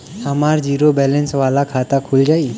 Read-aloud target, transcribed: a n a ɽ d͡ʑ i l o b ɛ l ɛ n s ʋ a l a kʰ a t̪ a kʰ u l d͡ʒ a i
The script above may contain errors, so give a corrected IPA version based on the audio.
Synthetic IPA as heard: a m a ɾ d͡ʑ i ɾ o b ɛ l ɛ n s ʋ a l a kʰ a t̪ a kʰ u l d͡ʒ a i